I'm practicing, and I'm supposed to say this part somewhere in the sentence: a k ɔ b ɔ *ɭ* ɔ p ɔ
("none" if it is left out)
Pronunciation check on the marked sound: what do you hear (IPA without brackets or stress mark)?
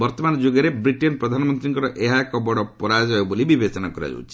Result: ɽ